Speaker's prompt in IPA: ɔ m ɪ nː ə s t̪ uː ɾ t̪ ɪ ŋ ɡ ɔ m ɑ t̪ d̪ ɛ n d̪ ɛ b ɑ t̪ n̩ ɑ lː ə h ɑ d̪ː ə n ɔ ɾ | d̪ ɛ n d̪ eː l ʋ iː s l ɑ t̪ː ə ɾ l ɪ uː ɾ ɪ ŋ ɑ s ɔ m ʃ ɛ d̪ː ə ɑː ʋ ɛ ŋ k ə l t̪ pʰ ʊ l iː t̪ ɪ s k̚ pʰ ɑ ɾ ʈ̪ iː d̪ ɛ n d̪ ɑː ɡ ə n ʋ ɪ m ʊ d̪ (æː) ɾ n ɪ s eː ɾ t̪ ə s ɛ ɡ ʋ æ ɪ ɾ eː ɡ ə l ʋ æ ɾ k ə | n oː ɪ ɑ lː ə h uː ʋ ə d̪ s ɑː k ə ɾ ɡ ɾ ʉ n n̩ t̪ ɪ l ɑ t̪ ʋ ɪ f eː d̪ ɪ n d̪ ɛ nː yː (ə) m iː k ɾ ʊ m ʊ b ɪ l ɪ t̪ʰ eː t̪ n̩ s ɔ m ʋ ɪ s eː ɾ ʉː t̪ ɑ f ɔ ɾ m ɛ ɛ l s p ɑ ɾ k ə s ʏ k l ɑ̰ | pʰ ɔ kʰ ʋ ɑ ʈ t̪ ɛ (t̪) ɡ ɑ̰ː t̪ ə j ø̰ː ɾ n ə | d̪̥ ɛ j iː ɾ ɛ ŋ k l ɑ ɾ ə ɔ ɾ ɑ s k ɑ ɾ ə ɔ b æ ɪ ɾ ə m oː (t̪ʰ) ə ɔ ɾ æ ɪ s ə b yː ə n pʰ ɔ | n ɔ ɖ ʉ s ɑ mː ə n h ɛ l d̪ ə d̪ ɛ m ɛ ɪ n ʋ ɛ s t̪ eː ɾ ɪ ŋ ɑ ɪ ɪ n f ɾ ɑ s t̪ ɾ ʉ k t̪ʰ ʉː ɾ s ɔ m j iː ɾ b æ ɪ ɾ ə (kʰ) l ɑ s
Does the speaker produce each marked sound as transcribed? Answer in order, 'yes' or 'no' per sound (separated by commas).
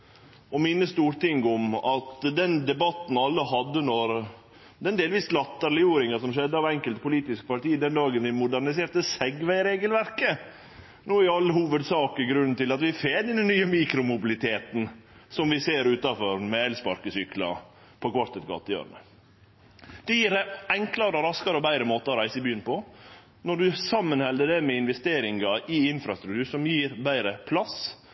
no, yes, yes, no, no